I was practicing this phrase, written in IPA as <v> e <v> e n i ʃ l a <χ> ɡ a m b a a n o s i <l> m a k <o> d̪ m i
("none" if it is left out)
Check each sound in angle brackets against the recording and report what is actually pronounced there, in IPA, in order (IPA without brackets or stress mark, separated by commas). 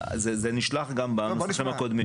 z, z, χ, none, o